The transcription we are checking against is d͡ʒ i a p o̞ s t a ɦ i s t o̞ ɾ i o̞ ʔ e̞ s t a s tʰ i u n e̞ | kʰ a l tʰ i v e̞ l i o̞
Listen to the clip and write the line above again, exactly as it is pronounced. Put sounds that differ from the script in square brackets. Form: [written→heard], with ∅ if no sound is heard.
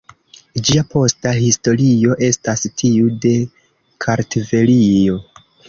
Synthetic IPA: d͡ʒ i a p o̞ s t a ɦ i s t o̞ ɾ i o̞ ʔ e̞ s t a s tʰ i u [n→d] e̞ | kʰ a [l→ɾ] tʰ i v e̞ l i o̞